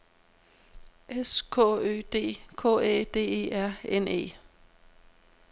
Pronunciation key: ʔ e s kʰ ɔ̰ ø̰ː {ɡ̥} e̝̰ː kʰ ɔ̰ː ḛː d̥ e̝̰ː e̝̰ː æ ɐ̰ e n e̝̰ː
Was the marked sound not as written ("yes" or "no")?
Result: yes